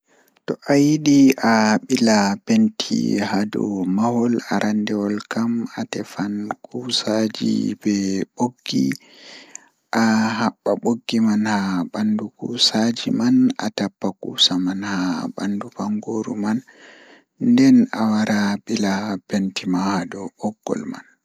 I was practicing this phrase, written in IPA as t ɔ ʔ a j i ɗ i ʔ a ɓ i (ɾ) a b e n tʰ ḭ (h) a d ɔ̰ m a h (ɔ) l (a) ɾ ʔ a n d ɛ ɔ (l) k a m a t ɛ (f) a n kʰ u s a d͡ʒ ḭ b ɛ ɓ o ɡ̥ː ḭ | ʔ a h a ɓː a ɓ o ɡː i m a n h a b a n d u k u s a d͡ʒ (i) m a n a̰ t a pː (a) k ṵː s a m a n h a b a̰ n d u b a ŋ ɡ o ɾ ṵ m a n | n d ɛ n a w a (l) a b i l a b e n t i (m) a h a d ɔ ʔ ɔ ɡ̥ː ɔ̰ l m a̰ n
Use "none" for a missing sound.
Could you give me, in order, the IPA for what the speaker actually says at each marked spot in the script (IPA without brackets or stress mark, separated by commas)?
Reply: l, h, ɔ, a, l, f, i, a, ɾ, m